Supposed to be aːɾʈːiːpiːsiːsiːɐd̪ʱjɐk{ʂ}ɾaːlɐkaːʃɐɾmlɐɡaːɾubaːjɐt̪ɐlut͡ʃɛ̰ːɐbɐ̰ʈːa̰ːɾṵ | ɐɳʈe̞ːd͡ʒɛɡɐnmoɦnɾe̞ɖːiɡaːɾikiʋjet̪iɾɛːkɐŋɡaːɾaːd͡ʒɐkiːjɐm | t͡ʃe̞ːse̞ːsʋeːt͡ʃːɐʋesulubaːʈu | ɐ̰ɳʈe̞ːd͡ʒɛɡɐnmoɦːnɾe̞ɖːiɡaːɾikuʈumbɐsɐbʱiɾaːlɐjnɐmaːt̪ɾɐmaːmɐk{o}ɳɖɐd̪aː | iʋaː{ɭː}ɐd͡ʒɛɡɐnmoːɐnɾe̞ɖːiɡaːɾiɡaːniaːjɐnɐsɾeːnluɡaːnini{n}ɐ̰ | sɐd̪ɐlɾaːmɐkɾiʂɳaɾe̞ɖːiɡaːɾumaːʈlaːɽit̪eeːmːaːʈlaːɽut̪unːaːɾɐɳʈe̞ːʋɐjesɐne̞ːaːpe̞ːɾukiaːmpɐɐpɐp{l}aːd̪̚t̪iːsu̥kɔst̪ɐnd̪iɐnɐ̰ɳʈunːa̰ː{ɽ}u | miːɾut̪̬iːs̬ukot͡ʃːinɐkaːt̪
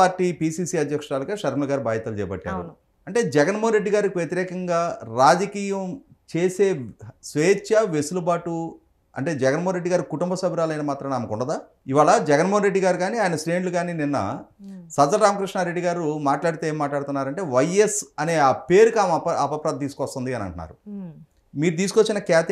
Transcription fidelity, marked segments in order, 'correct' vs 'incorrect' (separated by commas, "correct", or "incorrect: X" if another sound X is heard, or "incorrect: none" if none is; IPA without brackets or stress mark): correct, incorrect: u, incorrect: ɭ, incorrect: nː, incorrect: ɾ, incorrect: ɾ